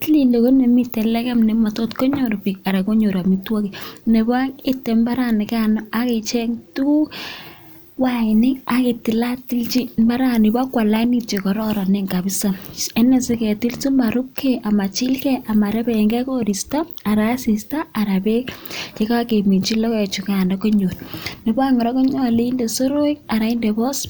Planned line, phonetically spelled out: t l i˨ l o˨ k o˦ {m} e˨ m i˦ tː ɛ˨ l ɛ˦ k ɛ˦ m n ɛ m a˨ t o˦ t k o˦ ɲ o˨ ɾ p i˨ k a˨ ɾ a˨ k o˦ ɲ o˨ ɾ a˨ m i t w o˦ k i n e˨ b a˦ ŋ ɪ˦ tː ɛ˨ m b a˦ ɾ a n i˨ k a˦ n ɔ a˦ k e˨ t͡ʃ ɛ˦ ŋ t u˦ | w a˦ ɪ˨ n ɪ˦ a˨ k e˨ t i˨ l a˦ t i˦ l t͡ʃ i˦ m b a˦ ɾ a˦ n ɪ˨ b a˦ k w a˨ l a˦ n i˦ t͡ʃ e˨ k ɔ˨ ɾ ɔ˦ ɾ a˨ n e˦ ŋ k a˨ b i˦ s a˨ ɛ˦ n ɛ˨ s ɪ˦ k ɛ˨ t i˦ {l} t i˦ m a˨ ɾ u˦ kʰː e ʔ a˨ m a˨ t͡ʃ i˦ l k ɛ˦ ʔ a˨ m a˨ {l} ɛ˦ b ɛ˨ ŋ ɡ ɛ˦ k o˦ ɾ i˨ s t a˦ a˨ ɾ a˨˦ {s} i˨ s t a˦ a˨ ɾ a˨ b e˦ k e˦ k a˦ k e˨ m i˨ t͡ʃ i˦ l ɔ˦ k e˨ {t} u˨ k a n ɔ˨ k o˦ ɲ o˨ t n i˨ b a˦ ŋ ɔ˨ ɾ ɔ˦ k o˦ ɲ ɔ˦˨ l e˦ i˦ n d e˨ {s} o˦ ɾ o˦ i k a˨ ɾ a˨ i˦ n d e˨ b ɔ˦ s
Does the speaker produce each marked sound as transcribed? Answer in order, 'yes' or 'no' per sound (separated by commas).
no, yes, no, yes, no, yes